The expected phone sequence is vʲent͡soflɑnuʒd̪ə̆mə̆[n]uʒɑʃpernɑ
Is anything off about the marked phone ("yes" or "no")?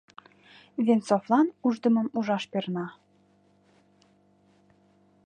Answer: yes